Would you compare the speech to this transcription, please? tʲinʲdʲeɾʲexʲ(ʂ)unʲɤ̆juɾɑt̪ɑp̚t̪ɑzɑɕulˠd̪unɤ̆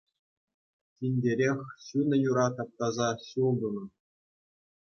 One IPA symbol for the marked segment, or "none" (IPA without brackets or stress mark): ɕ